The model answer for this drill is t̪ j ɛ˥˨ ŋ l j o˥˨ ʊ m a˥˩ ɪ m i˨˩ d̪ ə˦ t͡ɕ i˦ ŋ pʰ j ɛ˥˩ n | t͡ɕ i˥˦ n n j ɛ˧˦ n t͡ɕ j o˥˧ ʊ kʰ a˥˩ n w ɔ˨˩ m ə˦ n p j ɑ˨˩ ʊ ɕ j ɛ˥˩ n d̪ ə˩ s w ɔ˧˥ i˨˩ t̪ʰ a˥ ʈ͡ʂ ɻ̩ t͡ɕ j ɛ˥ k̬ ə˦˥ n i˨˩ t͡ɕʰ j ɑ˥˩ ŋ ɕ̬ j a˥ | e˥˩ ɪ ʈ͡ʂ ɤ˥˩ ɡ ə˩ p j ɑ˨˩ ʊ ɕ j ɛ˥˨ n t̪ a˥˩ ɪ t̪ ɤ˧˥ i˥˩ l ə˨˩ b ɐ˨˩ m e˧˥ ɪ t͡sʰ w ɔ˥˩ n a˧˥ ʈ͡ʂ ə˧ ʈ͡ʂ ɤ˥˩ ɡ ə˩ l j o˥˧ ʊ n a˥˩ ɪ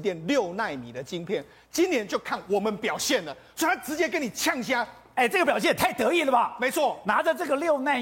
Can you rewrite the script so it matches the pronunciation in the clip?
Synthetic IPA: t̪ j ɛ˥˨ n l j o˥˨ ʊ n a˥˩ ɪ m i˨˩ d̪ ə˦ t͡ɕ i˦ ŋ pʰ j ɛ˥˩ n | t͡ɕ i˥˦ n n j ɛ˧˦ n t͡ɕ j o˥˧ ʊ kʰ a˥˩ n w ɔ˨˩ m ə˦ n p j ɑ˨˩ ʊ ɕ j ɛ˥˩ n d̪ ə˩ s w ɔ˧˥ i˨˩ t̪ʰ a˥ ʈ͡ʂ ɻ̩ t͡ɕ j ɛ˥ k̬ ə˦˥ n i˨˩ t͡ɕʰ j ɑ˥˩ ŋ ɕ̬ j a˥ | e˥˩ ɪ ʈ͡ʂ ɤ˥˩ ɡ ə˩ p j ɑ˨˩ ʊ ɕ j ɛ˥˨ n t̪ʰ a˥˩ ɪ t̪ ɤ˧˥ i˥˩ l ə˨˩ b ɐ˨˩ m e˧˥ ɪ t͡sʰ w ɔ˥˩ n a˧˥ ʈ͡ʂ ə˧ ʈ͡ʂ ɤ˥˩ ɡ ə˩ l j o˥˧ ʊ n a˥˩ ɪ